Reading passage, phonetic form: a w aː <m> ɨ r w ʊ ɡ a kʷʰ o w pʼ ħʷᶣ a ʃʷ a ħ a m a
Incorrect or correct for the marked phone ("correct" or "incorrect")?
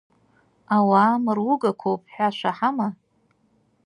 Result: correct